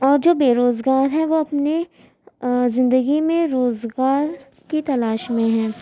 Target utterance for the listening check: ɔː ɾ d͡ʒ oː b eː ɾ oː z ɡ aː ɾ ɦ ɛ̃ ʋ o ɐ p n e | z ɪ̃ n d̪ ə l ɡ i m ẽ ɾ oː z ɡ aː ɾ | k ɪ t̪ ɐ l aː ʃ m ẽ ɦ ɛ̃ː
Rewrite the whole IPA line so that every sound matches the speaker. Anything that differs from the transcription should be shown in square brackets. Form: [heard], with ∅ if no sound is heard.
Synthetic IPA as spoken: ɔː ɾ d͡ʒ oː b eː ɾ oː z ɡ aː ɾ ɦ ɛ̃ ʋ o ɐ p n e | z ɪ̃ n d̪ ə [∅] ɡ i m ẽ ɾ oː z ɡ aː ɾ | k [i] t̪ ɐ l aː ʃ m ẽ ɦ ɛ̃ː